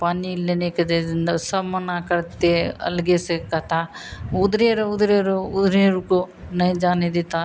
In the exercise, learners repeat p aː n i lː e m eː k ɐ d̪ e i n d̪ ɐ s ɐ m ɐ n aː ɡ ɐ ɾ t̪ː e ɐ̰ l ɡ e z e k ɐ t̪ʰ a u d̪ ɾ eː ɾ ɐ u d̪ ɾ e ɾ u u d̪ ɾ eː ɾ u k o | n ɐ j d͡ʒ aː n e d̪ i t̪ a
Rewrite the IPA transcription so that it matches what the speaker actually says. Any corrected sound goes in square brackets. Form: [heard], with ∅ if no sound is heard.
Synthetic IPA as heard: p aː n i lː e [n] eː k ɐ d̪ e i n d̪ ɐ s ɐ m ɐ n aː [k] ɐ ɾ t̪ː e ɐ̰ l ɡ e [s] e k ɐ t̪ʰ a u d̪ ɾ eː ɾ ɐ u d̪ ɾ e ɾ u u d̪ ɾ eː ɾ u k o | n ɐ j d͡ʒ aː n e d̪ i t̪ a